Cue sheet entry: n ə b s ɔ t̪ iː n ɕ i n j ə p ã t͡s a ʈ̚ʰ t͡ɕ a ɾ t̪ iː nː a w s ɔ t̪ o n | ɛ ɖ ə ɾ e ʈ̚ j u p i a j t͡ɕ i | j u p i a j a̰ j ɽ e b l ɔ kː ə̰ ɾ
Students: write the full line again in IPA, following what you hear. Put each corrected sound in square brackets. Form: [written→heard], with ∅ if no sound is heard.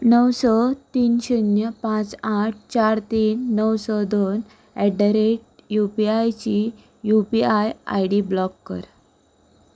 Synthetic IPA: n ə [b→w] s ɔ t̪ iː n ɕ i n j ə p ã t͡s a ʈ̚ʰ t͡ɕ a ɾ t̪ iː nː [a→ə] w s ɔ [t̪→d̪] o n | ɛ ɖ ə ɾ e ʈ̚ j u p i a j t͡ɕ i | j u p i a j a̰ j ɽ [e→i] b l ɔ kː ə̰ ɾ